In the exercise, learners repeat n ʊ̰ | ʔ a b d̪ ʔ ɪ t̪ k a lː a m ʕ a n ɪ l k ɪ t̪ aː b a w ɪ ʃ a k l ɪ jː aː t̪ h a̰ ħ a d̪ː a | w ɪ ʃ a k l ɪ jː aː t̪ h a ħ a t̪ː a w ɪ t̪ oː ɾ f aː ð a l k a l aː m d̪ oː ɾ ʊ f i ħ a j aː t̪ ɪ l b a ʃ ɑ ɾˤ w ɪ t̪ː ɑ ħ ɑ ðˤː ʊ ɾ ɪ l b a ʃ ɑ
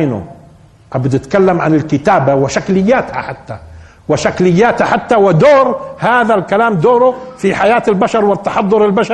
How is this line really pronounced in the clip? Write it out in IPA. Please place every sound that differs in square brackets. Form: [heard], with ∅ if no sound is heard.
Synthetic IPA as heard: n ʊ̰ | ʔ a b d̪ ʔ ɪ t̪ k a lː a m ʕ a n ɪ l k ɪ t̪ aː b a w ɪ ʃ a k l ɪ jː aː t̪ h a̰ ħ a [t̪ː] a | w ɪ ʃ a k l ɪ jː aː t̪ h a ħ a t̪ː a w ɪ [d̪] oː ɾ [h] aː ð a l k a l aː m d̪ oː ɾ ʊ f i ħ a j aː t̪ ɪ l b a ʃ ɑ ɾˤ w ɪ t̪ː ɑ ħ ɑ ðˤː ʊ ɾ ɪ l b a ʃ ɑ